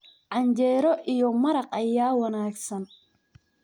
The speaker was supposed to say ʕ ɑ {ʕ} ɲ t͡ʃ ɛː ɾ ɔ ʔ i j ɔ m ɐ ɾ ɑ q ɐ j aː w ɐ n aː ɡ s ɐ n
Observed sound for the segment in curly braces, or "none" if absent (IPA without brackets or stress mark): none